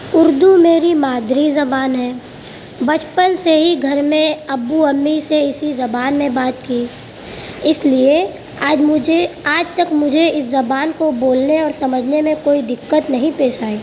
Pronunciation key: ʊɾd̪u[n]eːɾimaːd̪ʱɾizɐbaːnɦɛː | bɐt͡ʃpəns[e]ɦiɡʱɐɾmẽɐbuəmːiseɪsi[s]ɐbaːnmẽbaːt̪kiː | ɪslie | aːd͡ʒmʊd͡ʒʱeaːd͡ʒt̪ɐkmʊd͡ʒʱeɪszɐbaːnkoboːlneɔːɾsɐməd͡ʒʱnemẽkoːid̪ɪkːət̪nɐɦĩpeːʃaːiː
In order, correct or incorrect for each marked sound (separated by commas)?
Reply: incorrect, correct, incorrect